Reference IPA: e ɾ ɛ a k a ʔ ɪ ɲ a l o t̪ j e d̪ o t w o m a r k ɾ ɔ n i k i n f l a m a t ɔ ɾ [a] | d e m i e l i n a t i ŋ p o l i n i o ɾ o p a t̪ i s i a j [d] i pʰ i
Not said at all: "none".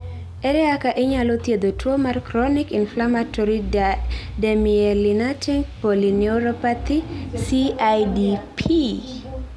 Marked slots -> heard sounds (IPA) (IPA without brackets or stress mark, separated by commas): i, d